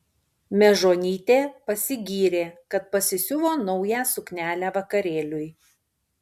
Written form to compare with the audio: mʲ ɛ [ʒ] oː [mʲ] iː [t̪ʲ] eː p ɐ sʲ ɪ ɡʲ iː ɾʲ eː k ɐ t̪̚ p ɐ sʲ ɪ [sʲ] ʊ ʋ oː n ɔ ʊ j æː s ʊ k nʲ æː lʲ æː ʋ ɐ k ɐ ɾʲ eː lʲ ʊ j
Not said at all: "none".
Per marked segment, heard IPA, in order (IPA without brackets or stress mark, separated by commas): ʒ, nʲ, t̪ʲ, sʲ